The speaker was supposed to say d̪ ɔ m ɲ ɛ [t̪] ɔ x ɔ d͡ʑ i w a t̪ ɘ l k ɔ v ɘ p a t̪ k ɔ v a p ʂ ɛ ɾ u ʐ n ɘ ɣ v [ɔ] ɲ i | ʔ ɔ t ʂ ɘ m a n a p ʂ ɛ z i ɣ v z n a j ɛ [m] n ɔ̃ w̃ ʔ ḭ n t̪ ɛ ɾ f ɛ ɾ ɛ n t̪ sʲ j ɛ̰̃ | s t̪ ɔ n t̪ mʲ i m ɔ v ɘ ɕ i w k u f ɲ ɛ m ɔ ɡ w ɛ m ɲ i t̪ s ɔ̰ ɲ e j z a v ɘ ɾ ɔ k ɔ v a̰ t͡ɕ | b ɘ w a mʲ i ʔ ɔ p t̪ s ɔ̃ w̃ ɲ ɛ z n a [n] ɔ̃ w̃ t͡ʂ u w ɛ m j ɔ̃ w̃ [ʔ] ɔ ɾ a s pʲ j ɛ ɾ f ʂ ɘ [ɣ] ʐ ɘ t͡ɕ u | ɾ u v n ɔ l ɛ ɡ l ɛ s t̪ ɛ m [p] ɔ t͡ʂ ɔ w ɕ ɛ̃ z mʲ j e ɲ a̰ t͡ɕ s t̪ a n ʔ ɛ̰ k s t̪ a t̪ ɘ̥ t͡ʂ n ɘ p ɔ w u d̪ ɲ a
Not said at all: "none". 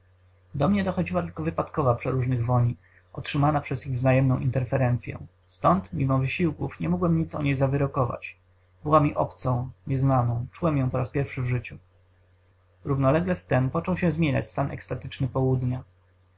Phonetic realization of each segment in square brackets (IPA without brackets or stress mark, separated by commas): d̪, ɔ, m, n, p, v, p